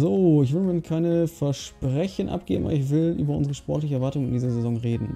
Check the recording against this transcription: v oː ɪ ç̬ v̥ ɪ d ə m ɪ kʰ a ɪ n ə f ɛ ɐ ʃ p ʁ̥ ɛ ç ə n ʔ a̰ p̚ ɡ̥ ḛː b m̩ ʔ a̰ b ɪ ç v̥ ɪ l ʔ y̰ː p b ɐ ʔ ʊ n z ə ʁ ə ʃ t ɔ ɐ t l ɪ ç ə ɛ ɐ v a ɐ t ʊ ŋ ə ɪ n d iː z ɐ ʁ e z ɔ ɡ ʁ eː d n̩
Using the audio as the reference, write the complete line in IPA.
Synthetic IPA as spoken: z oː ɪ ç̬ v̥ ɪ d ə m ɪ kʰ a ɪ n ə f ɛ ɐ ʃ p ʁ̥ ɛ ç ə n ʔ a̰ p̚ ɡ̥ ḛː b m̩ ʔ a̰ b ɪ ç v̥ ɪ l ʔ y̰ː b ɐ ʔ ʊ n z ə ʁ ə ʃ p ɔ ɐ t l ɪ ç ə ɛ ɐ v a ɐ t ʊ ŋ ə ɪ n d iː z ɐ z e z ɔ ŋ ʁ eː d n̩

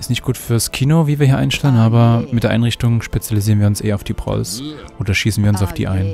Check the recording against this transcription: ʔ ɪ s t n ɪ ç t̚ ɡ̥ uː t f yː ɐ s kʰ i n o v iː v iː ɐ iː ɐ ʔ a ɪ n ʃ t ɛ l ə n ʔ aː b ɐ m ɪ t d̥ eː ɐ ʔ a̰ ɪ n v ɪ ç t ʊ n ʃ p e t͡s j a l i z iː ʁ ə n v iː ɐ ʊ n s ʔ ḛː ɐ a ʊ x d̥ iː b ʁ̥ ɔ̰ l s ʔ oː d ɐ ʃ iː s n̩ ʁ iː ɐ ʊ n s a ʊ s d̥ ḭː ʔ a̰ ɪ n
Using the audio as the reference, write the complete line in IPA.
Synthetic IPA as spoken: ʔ ɪ s t n ɪ ç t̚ ɡ̥ uː t f yː ɐ s kʰ iː n o v iː v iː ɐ iː ɐ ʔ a ɪ n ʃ t ɛ l ə n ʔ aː b ɐ m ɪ t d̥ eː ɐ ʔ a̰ ɪ n ʁ ɪ ç t ʊ ŋ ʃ p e t͡s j a l i z iː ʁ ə n v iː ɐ ʊ n s ʔ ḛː ɐ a ʊ f d̥ iː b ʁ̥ ɔ̰ l s ʔ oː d ɐ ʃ iː s n̩ v iː ɐ ʊ n s a ʊ f d̥ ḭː ʔ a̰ ɪ n

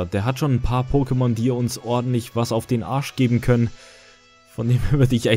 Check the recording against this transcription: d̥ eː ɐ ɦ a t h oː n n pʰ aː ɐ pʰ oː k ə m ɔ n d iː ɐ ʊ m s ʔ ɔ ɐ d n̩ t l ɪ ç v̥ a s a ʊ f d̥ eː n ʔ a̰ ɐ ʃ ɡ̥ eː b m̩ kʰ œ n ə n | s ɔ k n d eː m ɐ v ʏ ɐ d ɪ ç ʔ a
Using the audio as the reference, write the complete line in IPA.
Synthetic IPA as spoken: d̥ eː ɐ ɦ a t ʃ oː n n pʰ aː ɐ pʰ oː k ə m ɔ n d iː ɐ ʊ n s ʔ ɔ ɐ d n̩ t l ɪ ç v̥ a s a ʊ f d̥ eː n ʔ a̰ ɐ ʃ ɡ̥ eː b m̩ kʰ œ n ə n | f ɔ n d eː m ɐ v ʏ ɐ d ɪ ç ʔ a

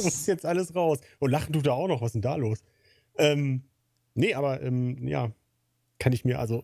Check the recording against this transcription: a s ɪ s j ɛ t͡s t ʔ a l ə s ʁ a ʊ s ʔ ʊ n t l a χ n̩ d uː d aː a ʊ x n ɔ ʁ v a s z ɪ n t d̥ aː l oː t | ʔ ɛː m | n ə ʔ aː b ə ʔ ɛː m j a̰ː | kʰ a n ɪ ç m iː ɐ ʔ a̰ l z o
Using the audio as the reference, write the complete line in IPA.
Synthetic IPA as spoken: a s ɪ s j ɛ t͡s t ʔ a l ə s ʁ a ʊ s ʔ ʊ n t l a χ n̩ d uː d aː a ʊ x n ɔ χ v a s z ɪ n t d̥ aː l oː s | ʔ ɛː m | n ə ʔ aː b ɐ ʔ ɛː m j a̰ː | kʰ a n ɪ ç m iː ɐ ʔ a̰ l z o

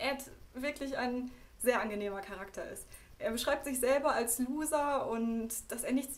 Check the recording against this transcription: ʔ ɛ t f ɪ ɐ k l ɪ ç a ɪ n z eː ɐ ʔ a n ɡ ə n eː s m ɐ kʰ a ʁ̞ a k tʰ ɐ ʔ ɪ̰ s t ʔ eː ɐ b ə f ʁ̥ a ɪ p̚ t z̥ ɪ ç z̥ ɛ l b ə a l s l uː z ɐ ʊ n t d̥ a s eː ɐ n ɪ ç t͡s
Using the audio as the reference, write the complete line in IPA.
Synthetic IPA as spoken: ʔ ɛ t v ɪ ɐ k l ɪ ç a ɪ n z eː ɐ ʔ a n ɡ ə n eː m ɐ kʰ a ʁ̞ a k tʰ ɐ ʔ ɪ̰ s t ʔ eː ɐ b ə ʃ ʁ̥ a ɪ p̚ t z̥ ɪ ç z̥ ɛ l b ɐ a l s l uː z ɐ ʊ n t d̥ a s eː ɐ n ɪ ç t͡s

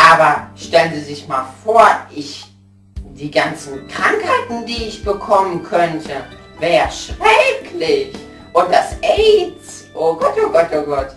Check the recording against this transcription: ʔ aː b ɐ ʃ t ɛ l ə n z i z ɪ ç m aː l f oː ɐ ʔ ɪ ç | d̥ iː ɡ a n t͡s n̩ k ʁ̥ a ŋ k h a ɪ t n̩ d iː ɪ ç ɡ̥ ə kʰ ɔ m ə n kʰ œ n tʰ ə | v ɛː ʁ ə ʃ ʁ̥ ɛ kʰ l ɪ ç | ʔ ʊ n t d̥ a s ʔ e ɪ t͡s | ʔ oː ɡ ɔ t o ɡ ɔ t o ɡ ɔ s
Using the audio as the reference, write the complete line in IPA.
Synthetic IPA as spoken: ʔ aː b ɐ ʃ t ɛ l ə n z i z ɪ ç m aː l f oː ɐ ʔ ɪ ç | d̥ iː ɡ a n t͡s n̩ k ʁ̥ a ŋ k h a ɪ t n̩ d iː ɪ ç b̥ ə kʰ ɔ m ə n kʰ œ n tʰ ə | v ɛː ʁ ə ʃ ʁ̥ ɛ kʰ l ɪ ç | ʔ ʊ n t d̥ a s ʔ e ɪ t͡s | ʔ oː ɡ ɔ t o ɡ ɔ t o ɡ ɔ t

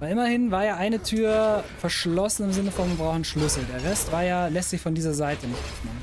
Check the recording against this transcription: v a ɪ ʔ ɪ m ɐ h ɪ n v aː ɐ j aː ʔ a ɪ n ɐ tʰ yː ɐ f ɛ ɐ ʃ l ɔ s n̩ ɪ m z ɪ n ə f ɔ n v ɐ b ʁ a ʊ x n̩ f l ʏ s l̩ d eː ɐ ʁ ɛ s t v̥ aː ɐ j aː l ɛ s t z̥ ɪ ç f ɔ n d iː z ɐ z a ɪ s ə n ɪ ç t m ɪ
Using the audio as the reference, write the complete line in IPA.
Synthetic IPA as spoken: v a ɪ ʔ ɪ m ɐ h ɪ n v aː ɐ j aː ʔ a ɪ n ə tʰ yː ɐ f ɛ ɐ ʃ l ɔ s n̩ ɪ m z ɪ n ə f ɔ n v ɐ b ʁ a ʊ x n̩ ʃ l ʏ s l̩ d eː ɐ ʁ ɛ s t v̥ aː ɐ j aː l ɛ s t z̥ ɪ ç f ɔ n d iː z ɐ z a ɪ t ə n ɪ ç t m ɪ

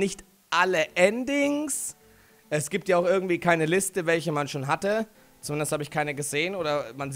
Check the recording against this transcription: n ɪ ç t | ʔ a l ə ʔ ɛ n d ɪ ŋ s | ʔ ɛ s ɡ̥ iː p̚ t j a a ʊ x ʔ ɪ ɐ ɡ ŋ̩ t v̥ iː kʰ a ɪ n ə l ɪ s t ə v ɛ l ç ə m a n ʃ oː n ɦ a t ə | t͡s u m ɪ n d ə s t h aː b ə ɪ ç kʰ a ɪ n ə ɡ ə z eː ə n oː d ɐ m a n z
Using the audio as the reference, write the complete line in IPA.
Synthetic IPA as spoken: n ɪ ç t | ʔ a l ə ʔ ɛ n d ɪ ŋ s | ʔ ɛ s ɡ̥ iː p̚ t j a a ʊ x ʔ ɪ ɐ ɡ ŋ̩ t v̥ iː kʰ a ɪ n ə l ɪ s t ə v ɛ l ç ə m a n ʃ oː n ɦ a t ə | t͡s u m ɪ n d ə s t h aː b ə ɪ ç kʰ a ɪ n ə ɡ ə z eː ə n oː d ɐ m a n z

